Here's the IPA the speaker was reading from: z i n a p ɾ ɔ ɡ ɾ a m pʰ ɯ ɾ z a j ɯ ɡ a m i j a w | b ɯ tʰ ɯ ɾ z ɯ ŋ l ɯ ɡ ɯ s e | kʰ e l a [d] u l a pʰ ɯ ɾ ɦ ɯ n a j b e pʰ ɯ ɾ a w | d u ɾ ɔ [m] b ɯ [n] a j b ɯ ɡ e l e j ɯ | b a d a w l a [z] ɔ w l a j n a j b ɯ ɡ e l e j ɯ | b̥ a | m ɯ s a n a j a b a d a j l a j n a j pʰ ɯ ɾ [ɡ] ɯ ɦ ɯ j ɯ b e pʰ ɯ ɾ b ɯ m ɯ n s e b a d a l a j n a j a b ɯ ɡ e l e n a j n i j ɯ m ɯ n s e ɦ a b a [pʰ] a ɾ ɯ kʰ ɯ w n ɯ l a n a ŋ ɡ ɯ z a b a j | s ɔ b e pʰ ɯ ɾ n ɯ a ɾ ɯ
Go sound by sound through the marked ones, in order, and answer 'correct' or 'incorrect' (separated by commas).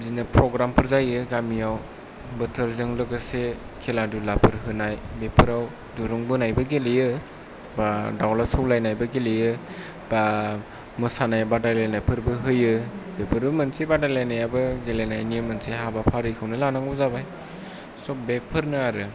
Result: correct, incorrect, correct, incorrect, incorrect, correct